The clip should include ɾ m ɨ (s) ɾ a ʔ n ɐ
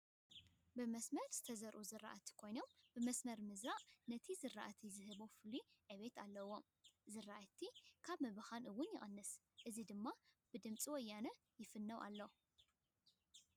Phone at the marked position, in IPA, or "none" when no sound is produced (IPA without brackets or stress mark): z